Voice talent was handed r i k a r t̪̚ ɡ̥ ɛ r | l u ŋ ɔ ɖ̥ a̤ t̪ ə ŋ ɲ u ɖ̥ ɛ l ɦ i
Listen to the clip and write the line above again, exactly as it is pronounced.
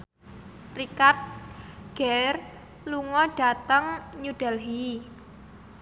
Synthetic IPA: r i k a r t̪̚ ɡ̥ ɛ r | l u ŋ ɔ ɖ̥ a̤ t̪ ə ŋ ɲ u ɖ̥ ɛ l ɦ i